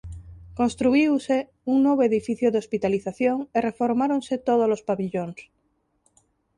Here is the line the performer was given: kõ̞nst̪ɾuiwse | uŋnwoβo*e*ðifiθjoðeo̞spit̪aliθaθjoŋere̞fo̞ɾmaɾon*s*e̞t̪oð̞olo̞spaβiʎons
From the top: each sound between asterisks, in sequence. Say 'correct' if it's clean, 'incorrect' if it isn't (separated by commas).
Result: correct, correct